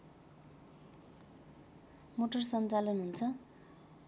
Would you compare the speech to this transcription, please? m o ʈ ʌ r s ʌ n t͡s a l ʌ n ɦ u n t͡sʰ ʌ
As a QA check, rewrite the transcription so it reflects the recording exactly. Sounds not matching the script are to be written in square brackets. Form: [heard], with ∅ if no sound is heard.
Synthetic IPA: m o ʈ ʌ r s ʌ n t͡s a l ʌ n ɦ u n t͡sʰ ʌ